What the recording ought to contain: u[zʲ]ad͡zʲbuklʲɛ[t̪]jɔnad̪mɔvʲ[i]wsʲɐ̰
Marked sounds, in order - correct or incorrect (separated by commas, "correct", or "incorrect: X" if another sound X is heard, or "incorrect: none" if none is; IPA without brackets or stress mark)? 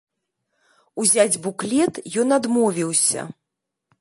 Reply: correct, correct, correct